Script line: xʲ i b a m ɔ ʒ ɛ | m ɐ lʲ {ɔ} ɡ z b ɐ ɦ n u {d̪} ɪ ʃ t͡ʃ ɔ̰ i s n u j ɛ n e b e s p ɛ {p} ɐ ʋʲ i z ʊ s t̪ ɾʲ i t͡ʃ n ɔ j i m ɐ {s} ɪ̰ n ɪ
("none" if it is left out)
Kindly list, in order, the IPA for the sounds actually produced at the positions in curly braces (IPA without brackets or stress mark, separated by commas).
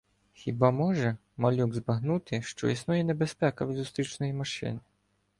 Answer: u, t̪, k, ʃ